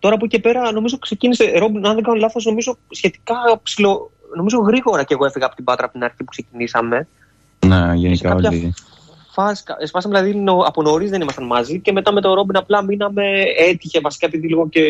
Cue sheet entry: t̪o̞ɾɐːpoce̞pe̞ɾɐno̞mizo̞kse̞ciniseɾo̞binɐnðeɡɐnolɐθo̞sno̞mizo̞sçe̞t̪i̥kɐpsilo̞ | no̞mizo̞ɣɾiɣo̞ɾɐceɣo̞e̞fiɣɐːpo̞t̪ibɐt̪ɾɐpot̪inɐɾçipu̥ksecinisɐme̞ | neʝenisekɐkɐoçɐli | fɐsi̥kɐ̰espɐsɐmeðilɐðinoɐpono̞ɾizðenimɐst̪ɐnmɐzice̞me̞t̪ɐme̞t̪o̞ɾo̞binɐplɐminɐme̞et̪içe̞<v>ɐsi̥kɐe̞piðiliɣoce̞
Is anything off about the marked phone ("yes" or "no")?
no